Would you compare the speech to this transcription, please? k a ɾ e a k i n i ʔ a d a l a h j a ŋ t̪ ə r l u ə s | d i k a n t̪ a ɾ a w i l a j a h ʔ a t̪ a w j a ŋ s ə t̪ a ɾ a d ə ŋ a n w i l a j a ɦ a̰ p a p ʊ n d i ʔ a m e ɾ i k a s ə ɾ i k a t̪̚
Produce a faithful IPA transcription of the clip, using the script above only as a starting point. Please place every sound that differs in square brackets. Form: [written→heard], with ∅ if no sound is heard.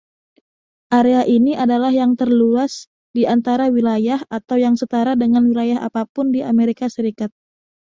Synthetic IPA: [k→ʔ] a ɾ e a [k→ʔ] i n i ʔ a d a l a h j a ŋ t̪ ə r l u [ə→a] s | d i [k→∅] a n t̪ a ɾ a w i l a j a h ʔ a t̪ a w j a ŋ s ə t̪ a ɾ a d ə ŋ a n w i l a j a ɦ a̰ p a p ʊ n d i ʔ a m e ɾ i k a s ə ɾ i k a t̪̚